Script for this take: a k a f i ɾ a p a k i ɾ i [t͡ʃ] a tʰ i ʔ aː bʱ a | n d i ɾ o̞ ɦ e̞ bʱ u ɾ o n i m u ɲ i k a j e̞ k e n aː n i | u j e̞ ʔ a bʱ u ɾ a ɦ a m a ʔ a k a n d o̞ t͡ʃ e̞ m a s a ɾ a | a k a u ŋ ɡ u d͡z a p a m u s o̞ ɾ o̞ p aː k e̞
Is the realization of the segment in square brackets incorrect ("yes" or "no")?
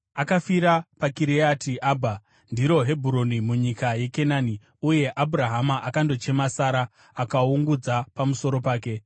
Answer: yes